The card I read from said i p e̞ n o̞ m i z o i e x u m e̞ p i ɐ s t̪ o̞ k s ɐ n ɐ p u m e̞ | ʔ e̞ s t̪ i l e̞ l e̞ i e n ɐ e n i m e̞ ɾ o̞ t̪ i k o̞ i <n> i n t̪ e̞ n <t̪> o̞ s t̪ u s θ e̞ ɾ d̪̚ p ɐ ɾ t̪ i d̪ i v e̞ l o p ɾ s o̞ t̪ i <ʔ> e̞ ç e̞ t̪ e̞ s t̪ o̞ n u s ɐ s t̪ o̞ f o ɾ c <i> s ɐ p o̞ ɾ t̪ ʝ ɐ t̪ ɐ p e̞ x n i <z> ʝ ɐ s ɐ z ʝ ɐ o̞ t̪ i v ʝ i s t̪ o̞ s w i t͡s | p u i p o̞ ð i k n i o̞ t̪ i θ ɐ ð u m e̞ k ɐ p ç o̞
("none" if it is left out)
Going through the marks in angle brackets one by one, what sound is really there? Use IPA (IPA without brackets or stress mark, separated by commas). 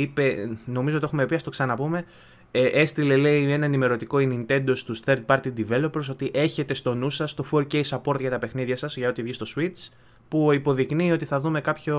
n, d̪, ʔ, e, ð